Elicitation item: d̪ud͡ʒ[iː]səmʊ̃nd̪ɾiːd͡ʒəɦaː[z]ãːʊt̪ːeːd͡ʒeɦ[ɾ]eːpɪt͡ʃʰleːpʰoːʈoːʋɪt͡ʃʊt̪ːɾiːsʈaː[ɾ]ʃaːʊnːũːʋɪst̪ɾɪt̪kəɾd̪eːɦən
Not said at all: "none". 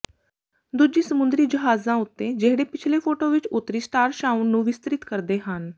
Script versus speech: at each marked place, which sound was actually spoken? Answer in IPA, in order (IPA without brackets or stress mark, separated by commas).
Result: iː, z, ɽ, ɾ